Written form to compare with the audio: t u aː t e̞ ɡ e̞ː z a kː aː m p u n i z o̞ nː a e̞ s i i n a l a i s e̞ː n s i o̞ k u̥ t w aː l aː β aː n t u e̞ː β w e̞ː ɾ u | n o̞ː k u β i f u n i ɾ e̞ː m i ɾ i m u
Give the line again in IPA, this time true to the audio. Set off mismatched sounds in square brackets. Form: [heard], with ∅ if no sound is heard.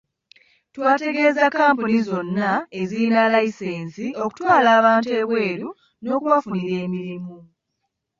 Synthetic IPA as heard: t [w] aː t e̞ ɡ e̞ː z a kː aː m p u n i z o̞ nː a e̞ [z] i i n a l a i s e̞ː n s i o̞ k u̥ t w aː l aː β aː n t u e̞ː β w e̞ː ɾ u | n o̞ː k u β [a] f u n i ɾ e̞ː m i ɾ i m u